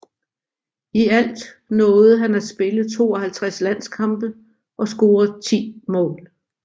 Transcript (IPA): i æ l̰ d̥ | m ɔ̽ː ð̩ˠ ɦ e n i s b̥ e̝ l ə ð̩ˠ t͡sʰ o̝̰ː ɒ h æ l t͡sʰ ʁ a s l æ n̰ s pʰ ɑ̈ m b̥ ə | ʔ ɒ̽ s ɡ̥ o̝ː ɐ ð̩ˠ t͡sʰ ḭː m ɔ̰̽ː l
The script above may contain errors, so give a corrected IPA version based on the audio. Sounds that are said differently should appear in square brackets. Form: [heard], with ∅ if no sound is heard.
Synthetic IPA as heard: i æ l̰ d̥ | [n] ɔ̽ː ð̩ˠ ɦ [æ] n [æ] s b̥ e̝ l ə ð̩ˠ t͡sʰ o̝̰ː ɒ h æ l t͡sʰ ʁ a s l æ n̰ s [kʰ] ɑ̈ m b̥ ə | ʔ ɒ̽ s ɡ̥ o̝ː ɐ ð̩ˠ t͡sʰ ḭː m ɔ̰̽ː l